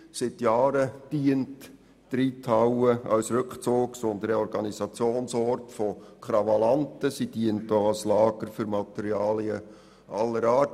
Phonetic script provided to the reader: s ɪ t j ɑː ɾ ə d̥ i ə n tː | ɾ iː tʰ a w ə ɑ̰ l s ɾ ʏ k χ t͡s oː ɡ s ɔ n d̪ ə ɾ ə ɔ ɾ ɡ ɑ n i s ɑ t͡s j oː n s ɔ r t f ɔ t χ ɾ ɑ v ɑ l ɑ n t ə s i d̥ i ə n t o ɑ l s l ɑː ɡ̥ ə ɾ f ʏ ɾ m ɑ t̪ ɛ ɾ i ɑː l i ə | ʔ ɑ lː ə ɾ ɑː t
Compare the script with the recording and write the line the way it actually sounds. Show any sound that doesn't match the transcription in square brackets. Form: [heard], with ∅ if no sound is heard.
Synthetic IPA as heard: s ɪ t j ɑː ɾ ə d̥ i ə n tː | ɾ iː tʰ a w ə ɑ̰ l s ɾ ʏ k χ t͡s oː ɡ s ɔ n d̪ ə ɾ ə ɔ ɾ ɡ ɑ n i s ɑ t͡s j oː n s ɔ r t f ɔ [k] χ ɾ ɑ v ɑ l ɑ n t ə s i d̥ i ə n t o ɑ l s l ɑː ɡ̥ ə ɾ f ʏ ɾ m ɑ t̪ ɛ ɾ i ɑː l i ə | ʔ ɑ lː ə ɾ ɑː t

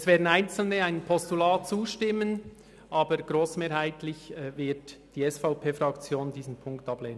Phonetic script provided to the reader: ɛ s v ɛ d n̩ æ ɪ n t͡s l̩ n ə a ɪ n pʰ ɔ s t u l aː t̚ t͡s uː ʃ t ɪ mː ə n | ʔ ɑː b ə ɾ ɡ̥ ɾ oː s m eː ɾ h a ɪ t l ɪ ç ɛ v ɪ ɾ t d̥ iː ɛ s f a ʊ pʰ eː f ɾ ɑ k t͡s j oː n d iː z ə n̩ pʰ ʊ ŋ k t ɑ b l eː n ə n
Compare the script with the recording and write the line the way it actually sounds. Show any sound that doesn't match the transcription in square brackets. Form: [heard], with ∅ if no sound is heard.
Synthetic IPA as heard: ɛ s v [ɛː] d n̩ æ ɪ n t͡s l̩ n ə a ɪ n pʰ ɔ s t u l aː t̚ t͡s uː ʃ t ɪ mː ə n | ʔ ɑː b ə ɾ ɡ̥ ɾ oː s m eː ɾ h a ɪ t l ɪ ç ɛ v ɪ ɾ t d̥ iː ɛ s f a ʊ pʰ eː f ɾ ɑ k t͡s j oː n d iː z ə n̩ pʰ ʊ ŋ k t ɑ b l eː n ə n

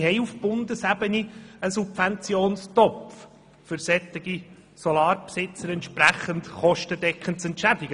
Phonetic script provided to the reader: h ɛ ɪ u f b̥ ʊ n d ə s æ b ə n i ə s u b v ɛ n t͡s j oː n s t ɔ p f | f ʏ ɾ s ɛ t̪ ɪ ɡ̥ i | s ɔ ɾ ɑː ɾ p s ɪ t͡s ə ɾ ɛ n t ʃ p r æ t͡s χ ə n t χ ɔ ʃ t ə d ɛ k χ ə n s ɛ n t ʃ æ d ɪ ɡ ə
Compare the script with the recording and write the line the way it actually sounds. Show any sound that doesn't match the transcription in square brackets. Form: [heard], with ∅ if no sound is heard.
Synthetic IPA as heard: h ɛ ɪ u f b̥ ʊ n d ə s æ b ə n i ə s u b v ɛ n t͡s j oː n s t ɔ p f | f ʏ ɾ s ɛ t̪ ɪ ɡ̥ i | s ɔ [l] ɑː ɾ p s ɪ t͡s ə ɾ ɛ n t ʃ p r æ [∅] χ ə n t χ ɔ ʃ t ə d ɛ k χ ə n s ɛ n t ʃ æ d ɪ ɡ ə

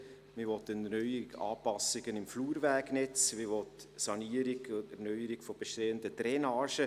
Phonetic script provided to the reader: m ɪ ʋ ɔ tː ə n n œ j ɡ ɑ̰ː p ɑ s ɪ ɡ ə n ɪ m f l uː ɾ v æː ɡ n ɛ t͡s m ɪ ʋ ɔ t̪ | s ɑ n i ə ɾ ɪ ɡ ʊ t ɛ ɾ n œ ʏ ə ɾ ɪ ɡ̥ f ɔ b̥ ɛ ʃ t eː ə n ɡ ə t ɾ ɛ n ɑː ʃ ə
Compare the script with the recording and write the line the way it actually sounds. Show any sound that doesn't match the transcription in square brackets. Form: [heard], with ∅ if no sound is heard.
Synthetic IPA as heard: m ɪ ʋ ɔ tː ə n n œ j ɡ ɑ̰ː p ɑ s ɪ ɡ ə n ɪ m f l uː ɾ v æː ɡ n ɛ t͡s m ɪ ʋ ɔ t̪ | s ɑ n i ə ɾ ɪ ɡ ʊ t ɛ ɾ n œ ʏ ə ɾ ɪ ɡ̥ f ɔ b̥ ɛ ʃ t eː ə n [d] ə t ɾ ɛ n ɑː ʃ ə

